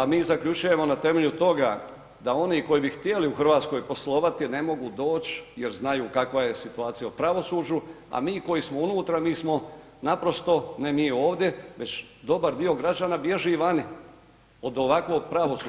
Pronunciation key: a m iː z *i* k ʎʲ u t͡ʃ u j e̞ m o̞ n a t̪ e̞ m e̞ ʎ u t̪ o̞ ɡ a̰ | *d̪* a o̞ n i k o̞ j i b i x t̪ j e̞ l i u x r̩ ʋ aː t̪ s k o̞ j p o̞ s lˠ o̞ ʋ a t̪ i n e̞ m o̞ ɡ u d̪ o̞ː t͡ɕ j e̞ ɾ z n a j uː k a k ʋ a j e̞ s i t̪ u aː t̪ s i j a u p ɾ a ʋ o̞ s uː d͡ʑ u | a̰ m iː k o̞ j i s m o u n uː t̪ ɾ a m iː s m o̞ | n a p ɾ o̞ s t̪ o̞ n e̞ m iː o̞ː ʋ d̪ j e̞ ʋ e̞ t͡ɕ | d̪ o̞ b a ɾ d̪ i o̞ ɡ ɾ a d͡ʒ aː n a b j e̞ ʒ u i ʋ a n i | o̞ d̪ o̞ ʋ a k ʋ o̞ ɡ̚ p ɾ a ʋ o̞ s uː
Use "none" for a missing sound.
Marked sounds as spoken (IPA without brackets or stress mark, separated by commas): a, d̪